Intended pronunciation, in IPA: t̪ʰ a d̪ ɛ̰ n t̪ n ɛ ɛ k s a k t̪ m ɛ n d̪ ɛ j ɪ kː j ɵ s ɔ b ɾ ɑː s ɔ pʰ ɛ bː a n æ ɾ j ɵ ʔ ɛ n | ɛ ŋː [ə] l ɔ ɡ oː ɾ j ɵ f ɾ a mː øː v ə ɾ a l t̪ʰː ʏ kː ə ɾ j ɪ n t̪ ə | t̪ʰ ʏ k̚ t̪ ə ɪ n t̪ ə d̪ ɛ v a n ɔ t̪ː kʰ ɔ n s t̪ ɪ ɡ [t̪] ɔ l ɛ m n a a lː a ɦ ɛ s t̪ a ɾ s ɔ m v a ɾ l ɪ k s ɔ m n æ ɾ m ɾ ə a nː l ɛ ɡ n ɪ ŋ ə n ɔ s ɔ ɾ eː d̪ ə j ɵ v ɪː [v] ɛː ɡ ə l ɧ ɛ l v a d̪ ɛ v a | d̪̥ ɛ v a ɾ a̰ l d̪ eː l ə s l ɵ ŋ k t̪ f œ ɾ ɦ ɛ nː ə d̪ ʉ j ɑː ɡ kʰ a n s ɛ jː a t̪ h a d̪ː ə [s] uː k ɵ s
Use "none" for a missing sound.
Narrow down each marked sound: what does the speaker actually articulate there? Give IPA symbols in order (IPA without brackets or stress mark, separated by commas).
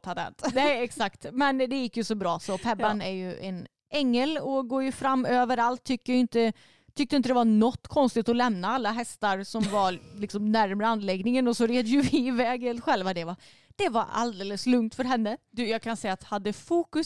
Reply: ə, t̪, v, f